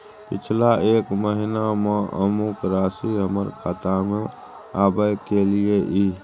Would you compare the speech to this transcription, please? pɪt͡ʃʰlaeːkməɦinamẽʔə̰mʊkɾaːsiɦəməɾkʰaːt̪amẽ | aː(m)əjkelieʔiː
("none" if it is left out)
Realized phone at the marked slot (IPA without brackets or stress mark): b